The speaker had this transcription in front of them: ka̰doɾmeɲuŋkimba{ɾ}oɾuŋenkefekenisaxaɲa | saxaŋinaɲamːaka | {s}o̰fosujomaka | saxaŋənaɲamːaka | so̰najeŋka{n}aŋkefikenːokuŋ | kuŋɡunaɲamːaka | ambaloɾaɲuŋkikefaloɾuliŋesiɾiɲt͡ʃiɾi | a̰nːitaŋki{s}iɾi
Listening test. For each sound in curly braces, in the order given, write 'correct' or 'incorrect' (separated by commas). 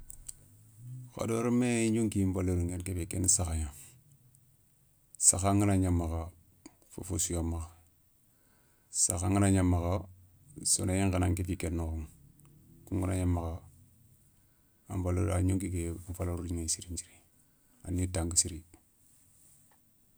incorrect, incorrect, correct, correct